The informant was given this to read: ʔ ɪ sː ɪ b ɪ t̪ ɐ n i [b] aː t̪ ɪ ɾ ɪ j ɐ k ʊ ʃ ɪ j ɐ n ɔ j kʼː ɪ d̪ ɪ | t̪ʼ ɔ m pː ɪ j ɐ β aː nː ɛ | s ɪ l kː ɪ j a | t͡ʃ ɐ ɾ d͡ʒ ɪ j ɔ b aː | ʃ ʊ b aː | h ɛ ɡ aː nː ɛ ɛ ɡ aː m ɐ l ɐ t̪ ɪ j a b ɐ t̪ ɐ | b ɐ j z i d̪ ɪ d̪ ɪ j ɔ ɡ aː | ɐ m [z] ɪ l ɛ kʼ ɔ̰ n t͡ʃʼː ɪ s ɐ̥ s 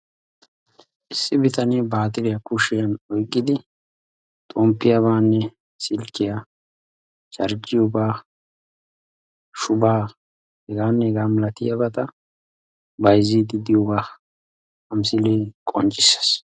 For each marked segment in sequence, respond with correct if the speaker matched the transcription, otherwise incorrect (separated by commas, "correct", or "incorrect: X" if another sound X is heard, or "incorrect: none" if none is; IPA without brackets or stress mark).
correct, incorrect: s